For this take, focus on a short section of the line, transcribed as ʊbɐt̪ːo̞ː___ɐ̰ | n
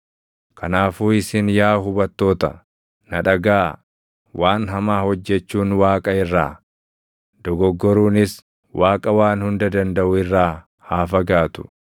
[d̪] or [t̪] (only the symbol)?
t̪